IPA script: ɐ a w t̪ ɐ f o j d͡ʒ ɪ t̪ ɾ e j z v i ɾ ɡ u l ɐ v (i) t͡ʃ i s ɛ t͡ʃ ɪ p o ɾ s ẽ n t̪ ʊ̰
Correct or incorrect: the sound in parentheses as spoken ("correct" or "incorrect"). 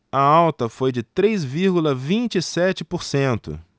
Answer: incorrect